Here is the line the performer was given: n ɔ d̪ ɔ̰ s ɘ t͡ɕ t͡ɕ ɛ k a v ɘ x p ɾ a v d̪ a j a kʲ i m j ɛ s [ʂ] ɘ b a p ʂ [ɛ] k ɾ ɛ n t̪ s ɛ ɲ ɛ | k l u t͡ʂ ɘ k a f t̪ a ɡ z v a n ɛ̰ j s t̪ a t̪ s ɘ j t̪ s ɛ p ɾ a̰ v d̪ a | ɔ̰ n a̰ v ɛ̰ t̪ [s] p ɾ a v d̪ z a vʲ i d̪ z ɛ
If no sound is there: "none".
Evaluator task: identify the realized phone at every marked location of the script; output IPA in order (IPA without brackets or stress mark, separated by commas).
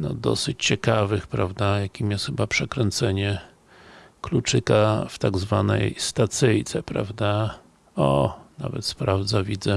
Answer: x, ɛ, s